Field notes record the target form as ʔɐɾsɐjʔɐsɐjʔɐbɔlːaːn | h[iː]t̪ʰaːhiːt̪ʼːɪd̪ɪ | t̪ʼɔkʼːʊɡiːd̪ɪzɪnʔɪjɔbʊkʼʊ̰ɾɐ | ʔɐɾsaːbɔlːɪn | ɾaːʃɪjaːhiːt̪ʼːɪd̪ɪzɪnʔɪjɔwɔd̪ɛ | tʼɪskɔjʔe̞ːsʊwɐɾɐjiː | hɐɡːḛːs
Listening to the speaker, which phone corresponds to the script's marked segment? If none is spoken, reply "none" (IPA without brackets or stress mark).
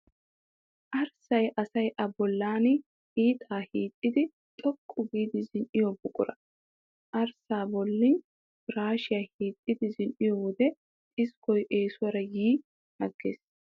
iː